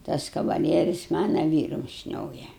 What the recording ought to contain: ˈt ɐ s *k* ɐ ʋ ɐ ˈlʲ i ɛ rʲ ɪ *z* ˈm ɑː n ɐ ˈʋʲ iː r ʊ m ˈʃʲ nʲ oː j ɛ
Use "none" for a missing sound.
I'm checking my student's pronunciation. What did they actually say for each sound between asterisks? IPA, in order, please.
k, s

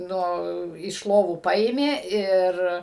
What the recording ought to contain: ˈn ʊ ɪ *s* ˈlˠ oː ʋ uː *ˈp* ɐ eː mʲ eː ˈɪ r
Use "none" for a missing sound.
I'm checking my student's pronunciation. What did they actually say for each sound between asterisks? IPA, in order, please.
ʃ, p

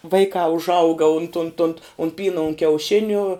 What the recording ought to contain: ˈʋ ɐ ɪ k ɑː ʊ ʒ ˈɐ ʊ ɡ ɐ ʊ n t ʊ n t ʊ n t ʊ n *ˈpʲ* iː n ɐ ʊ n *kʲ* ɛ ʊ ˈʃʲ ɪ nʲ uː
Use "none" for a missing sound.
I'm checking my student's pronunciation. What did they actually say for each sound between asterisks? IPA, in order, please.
pʲ, kʲ

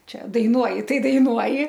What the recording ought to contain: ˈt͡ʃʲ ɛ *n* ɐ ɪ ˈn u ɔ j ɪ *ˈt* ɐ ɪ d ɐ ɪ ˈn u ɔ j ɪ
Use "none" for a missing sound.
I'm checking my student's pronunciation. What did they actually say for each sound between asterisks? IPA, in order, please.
d, t

